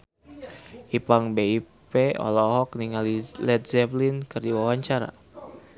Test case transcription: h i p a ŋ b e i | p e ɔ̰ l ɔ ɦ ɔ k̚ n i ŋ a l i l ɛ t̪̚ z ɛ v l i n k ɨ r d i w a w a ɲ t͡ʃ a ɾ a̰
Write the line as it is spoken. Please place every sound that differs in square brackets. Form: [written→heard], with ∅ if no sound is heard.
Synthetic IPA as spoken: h i p a ŋ b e i | p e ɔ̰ l ɔ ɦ ɔ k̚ n i ŋ a l i l ɛ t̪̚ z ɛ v l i n k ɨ r d i w a w a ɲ t͡ʃ a ɾ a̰